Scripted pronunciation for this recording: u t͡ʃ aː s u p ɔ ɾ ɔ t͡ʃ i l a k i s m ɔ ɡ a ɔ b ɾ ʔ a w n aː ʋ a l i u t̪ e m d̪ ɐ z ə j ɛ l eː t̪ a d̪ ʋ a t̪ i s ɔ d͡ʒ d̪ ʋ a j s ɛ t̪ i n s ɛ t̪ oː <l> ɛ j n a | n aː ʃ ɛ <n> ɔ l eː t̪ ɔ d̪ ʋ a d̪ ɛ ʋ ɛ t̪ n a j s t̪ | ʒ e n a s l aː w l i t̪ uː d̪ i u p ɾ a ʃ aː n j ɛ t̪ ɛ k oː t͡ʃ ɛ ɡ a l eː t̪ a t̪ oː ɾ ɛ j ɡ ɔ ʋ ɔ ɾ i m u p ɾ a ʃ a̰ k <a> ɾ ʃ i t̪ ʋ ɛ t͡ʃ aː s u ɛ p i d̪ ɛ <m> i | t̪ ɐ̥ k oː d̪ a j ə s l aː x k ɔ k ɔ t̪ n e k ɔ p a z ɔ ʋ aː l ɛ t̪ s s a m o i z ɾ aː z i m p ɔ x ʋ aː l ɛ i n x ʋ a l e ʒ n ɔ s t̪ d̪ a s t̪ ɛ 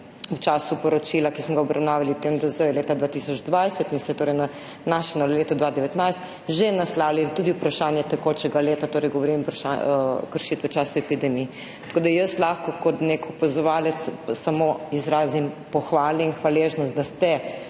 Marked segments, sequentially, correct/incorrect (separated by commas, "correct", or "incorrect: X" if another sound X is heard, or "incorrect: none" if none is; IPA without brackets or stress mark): incorrect: ɾ, correct, incorrect: ə, correct